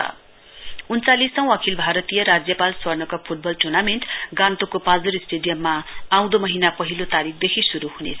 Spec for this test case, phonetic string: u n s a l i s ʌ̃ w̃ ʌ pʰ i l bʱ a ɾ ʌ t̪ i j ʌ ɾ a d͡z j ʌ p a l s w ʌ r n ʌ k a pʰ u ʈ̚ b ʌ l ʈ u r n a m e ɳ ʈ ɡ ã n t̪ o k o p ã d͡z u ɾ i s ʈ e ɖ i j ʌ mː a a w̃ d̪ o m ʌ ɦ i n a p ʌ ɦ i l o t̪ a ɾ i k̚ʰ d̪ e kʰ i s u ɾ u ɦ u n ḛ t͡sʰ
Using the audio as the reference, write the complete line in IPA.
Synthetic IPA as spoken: u n t͡s a l i s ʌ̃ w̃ ʌ kʰ i l bʱ a ɾ ʌ t̪ i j ʌ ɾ a d͡z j ʌ p a l s w ʌ r n ʌ k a pʰ u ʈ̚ b ʌ l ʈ u r n a m e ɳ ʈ ɡ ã n t̪ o k o p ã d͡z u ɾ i s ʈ e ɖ i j ʌ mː a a w̃ d̪ o m ʌ ɦ i n a p ʌ ɦ i l o t̪ a ɾ i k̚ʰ d̪ e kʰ i s u ɾ u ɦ u n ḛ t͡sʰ

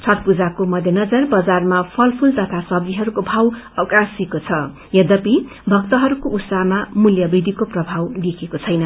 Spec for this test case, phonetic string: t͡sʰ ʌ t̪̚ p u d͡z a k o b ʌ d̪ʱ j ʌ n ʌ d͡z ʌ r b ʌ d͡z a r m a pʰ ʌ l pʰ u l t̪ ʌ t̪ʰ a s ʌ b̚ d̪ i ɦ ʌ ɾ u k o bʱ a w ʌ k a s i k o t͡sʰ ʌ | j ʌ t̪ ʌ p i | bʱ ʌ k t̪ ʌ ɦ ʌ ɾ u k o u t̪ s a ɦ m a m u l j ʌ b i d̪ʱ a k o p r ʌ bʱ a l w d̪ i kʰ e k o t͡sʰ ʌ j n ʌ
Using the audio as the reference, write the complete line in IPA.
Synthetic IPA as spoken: t͡sʰ ʌ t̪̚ p u d͡z a k o m ʌ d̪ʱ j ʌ n ʌ d͡z ʌ r b ʌ d͡z a r m a pʰ ʌ l pʰ u l t̪ ʌ t̪ʰ a s ʌ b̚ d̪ i ɦ ʌ ɾ u k o bʱ a w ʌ k a s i k o t͡sʰ ʌ | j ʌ d̪ ʌ p i | bʱ ʌ k t̪ ʌ ɦ ʌ ɾ u k o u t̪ s a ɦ m a m u l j ʌ b i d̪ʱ i k o p r ʌ bʱ a w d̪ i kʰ e k o t͡sʰ ʌ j n ʌ

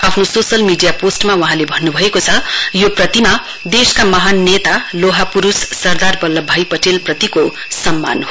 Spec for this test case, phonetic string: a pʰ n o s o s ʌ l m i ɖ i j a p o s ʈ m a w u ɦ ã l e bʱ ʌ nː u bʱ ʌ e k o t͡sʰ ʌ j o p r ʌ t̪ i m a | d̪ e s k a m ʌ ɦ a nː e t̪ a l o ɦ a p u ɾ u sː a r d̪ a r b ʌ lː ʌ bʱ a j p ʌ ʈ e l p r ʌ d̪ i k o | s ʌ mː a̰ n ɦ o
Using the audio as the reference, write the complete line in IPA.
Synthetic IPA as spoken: a pʰ n o s o s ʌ l m i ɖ i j a p o s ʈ m a w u ɦ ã l e bʱ ʌ nː u bʱ ʌ e k o t͡sʰ ʌ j o p r ʌ t̪ i m a | d̪ e s k a m ʌ ɦ a nː e t̪ a l o ɦ a p u ɾ u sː ʌ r d̪ a r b ʌ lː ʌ bʱ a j p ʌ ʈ e l p r ʌ t̪ i k o | s ʌ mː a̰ n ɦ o

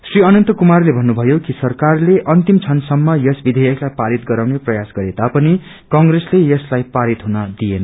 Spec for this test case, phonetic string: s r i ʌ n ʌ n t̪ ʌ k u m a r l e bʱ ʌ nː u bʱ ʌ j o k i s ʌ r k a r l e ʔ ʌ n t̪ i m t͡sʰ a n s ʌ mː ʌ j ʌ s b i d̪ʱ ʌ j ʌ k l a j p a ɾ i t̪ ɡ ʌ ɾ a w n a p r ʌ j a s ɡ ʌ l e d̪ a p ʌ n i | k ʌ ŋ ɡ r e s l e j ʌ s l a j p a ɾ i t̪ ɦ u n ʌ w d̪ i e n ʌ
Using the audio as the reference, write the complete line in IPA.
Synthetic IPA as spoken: s r i ʌ n ʌ n t̪ ʌ k u m a r l e bʱ ʌ nː u bʱ ʌ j o k i s ʌ r k a r l e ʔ ʌ n t̪ i m t͡sʰ ʌ n s ʌ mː ʌ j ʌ s b i d̪ʱ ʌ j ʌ k l a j p a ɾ i t̪ ɡ ʌ ɾ a w n e p r ʌ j a s ɡ ʌ ɾ e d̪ a p ʌ n i | k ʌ ŋ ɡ r e s l e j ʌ s l a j p a ɾ i t̪ ɦ u n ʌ d̪ i e n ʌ

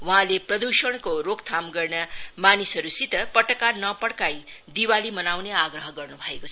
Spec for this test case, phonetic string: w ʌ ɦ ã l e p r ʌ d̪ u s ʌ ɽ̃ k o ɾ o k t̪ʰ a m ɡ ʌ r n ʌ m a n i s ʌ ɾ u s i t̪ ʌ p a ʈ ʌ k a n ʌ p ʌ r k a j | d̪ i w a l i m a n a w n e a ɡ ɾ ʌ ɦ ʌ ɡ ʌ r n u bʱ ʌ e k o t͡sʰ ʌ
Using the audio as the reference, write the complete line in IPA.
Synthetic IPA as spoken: w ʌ ɦ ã l e p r ʌ d̪ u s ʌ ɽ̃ k o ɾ o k t̪ʰ a m ɡ ʌ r n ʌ m a n i s ʌ ɾ u s i t̪ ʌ p ʌ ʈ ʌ k a n ʌ p ʌ ɽ k a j | d̪ i w a l i m ʌ n a w n e a ɡ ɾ ʌ ɦ ʌ ɡ ʌ r n u bʱ ʌ e k o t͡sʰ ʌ

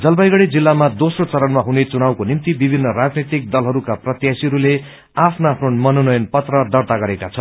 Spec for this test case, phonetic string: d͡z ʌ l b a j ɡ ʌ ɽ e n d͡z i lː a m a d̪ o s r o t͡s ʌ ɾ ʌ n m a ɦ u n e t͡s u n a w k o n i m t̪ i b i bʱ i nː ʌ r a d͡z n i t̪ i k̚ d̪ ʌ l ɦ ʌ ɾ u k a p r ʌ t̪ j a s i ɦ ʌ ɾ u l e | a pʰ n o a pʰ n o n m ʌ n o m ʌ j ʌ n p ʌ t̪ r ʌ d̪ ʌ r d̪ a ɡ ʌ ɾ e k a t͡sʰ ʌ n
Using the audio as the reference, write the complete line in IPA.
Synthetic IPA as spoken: d͡z ʌ l b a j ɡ ʌ ɽ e d͡z i lː a m a d̪ o s r o t͡s ʌ ɾ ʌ n m a ɦ u n e t͡s u n a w k o n i m t̪ i b i bʱ i nː ʌ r a d͡z n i t̪ i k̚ d̪ ʌ l ɦ ʌ ɾ u k a p r ʌ t̪ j a s i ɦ ʌ ɾ u l e | a pʰ n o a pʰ n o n m ʌ n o n ʌ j ʌ n p ʌ t̪ r ʌ d̪ ʌ r t̪ a ɡ ʌ ɾ e k a t͡sʰ ʌ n

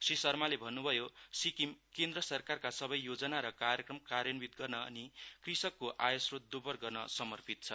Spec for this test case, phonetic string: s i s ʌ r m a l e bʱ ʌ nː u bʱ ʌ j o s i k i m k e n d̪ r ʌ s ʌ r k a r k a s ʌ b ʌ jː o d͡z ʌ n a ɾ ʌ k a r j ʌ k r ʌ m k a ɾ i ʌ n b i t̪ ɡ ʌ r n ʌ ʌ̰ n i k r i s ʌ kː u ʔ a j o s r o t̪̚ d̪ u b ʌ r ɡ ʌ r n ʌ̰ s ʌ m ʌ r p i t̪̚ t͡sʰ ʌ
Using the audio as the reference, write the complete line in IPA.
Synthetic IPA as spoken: s i s ʌ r m a l e bʱ ʌ nː u bʱ ʌ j o s i k i m k e n d̪ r ʌ s ʌ r k a r k a s ʌ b ʌ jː o d͡z ʌ n a ɾ ʌ k a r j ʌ k r ʌ m k a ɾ j ʌ n b i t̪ ɡ ʌ r n ʌ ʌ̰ n i k r i s ʌ kː o ʔ a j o s r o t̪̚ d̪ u b ʌ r ɡ ʌ r n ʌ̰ s ʌ m ʌ r p i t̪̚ t͡sʰ ʌ

